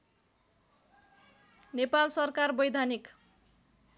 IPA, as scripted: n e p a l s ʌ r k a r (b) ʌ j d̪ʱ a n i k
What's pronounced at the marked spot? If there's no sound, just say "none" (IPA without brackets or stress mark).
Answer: b